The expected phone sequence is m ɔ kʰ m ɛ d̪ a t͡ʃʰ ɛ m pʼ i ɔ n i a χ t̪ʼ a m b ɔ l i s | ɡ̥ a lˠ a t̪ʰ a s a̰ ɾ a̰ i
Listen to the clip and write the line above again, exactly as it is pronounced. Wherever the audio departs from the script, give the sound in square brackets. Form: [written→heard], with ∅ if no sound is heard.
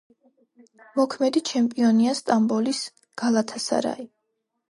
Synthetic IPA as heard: m ɔ kʰ m ɛ d̪ [a→i] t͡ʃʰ ɛ m pʼ i ɔ n i a [χ→s] t̪ʼ a m b ɔ l i s | ɡ̥ a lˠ a t̪ʰ a s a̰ ɾ a̰ i

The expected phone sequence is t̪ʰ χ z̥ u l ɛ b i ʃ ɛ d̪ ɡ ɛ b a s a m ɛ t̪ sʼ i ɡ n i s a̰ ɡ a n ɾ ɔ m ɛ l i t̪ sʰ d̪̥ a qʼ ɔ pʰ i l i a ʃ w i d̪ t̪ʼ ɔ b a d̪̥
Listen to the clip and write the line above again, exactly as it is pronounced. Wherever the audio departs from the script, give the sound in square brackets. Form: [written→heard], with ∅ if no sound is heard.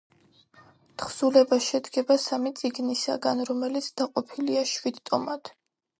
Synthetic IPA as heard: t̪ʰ χ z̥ u l ɛ b [i→a] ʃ ɛ d̪ ɡ ɛ b a s a m [ɛ→i] t̪ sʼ i ɡ n i s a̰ ɡ a n ɾ ɔ m ɛ l i t̪ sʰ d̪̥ a qʼ ɔ pʰ i l i a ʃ w i d̪ t̪ʼ ɔ [b→m] a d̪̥

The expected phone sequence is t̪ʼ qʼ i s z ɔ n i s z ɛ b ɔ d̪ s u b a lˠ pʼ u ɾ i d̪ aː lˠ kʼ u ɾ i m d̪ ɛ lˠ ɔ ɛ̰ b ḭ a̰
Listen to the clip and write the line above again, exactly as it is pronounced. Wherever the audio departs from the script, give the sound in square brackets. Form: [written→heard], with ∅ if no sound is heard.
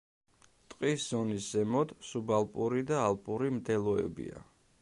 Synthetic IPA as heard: t̪ʼ qʼ i s z ɔ n i s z ɛ [b→m] ɔ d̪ s u b a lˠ pʼ u ɾ i d̪ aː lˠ [kʼ→pʼ] u ɾ i m d̪ ɛ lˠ ɔ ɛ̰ b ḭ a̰

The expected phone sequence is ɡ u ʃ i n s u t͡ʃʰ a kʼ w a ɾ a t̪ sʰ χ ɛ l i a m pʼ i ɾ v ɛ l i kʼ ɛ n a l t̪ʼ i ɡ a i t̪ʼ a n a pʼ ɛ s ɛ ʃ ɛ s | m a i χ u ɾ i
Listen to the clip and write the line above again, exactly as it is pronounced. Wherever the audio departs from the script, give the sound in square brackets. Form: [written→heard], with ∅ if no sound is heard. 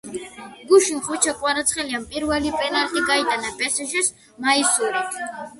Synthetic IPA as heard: ɡ u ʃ i n [s→χ] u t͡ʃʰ a kʼ w a ɾ a t̪ sʰ χ ɛ l i a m pʼ i ɾ v ɛ l i [kʼ→pʼ] ɛ n a l t̪ʼ i ɡ a i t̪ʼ a n a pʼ ɛ s ɛ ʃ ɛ s | m a i [χ→s] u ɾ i

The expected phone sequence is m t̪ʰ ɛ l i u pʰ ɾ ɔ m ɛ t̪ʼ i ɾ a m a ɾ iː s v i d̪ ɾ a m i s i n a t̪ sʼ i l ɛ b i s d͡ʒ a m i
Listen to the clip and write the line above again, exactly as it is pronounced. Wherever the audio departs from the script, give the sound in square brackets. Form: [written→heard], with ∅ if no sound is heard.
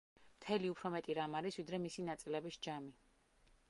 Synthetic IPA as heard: m t̪ʰ ɛ l i u pʰ ɾ ɔ m ɛ t̪ʼ i ɾ a m a ɾ [iː→i] s v i d̪ ɾ [a→ɛ] m i s i n a t̪ sʼ i l ɛ b i s d͡ʒ a m i

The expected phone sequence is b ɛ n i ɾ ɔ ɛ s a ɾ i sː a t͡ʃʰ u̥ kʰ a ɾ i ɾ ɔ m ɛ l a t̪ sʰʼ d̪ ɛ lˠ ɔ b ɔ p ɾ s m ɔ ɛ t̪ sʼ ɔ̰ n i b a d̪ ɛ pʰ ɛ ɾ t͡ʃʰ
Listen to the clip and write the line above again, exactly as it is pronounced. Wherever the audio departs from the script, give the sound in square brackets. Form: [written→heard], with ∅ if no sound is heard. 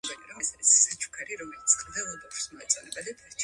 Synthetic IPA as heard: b ɛ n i ɾ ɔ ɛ s a ɾ i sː a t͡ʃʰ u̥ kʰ a ɾ i ɾ ɔ m ɛ l [a→i] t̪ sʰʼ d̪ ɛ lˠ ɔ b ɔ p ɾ s m ɔ ɛ t̪ sʼ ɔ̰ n [i→ɛ] b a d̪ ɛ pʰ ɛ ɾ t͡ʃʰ

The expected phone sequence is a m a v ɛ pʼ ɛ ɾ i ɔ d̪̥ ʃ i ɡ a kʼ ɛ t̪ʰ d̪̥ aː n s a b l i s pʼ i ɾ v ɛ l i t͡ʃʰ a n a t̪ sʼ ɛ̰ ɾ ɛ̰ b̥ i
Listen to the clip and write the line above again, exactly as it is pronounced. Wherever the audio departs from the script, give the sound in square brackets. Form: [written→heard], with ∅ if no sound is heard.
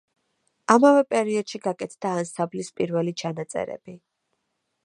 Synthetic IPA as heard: a m a v ɛ pʼ ɛ ɾ i ɔ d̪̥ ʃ i ɡ a kʼ ɛ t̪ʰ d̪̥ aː n s a b l i s pʼ i ɾ v ɛ l i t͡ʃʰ a n a t̪ sʼ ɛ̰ ɾ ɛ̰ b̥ i

